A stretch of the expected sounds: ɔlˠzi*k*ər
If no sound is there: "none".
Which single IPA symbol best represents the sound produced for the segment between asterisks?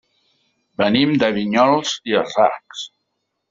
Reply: none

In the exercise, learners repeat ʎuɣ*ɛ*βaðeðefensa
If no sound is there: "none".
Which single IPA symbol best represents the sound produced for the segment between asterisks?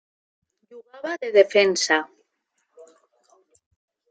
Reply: a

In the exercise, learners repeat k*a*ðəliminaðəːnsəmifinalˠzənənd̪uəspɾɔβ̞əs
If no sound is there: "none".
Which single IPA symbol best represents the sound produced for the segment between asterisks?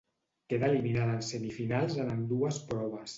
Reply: e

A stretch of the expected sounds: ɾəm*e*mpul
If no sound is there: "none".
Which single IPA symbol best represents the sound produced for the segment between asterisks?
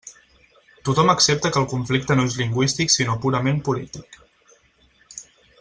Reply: e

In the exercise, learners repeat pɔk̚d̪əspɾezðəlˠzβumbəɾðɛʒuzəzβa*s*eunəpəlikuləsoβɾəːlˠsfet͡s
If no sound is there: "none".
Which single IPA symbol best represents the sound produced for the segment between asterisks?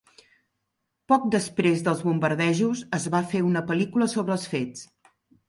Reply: f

